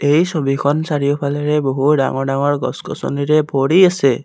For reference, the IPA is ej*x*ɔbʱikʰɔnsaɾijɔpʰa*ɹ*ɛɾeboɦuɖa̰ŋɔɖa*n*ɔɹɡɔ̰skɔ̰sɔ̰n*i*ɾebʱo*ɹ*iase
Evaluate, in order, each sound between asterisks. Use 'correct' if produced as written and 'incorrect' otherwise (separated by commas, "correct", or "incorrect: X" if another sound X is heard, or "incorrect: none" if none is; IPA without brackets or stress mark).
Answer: incorrect: s, incorrect: l, incorrect: ŋ, correct, incorrect: ɽ